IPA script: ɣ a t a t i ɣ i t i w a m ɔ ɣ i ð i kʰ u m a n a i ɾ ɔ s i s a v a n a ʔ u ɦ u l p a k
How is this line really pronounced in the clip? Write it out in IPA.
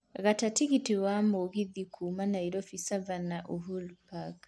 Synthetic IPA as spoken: ɣ a t a t i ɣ i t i w a m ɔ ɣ i ð i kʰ u m a n a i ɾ ɔ f i s a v a n a ʔ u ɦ u l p a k